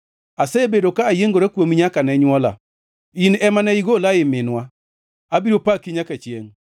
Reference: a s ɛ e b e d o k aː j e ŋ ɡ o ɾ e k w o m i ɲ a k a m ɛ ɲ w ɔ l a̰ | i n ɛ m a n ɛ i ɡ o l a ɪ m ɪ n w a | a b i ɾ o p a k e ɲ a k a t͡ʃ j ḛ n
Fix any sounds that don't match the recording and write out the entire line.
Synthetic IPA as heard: a s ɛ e b e d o k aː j e ŋ ɡ o ɾ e k w o m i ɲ a k a n ɛ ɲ w ɔ l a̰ | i n ɛ m a n ɛ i ɡ o l a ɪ m ɪ n w a | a b i ɾ o p a k i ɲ a k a t͡ʃ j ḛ ŋ